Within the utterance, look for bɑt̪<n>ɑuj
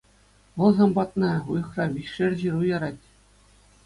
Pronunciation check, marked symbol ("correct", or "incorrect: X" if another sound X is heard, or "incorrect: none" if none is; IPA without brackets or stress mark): correct